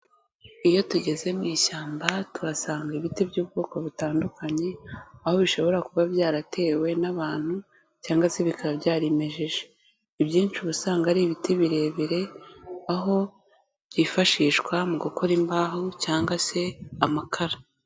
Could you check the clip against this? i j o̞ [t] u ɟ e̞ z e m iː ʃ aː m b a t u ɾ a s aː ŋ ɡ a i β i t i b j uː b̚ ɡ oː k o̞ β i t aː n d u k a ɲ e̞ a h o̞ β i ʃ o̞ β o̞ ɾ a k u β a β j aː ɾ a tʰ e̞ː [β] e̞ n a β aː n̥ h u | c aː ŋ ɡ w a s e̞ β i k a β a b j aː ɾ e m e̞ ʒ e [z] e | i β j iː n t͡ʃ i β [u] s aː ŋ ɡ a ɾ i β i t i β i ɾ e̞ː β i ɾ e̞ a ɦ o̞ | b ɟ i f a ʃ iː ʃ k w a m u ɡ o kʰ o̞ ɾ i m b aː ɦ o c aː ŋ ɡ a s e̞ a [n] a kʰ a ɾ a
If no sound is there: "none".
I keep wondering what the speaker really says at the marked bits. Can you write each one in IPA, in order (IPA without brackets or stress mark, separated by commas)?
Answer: t, w, ʒ, u, m